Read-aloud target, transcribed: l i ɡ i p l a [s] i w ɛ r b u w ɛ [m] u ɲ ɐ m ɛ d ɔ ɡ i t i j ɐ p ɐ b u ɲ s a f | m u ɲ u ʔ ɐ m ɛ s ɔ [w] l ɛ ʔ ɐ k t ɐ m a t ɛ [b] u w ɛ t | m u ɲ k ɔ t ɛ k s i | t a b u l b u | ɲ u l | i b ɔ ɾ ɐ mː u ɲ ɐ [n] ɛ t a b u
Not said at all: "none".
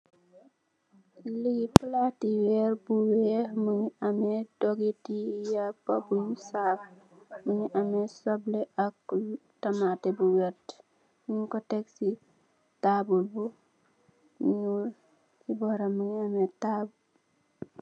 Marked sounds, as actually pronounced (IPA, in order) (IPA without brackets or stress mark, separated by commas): t, m, b, b, m